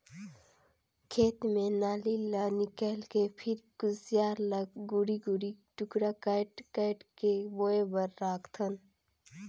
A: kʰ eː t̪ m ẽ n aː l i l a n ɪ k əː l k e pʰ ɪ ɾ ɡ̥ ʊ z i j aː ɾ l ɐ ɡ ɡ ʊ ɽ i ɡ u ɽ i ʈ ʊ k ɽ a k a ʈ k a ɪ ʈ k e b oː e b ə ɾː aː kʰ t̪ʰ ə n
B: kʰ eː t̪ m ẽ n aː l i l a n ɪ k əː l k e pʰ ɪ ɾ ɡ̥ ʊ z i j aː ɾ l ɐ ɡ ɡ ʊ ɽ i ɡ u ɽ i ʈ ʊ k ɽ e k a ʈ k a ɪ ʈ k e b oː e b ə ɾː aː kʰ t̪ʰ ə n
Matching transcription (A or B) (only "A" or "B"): A